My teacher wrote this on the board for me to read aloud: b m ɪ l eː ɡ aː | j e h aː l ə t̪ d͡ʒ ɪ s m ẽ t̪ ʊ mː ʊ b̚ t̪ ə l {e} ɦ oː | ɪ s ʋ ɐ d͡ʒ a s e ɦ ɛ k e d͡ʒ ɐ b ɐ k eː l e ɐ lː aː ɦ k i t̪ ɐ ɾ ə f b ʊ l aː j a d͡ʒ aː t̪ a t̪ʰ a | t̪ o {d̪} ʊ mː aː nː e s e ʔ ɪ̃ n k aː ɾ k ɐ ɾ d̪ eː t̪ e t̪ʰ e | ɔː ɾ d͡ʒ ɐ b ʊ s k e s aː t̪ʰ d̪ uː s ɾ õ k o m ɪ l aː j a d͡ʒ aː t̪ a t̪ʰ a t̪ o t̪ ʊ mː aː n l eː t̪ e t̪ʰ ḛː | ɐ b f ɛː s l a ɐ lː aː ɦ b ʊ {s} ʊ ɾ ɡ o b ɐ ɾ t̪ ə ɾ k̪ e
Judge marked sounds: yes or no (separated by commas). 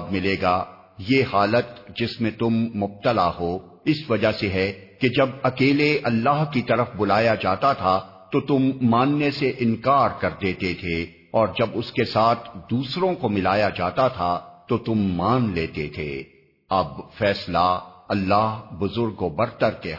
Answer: no, no, no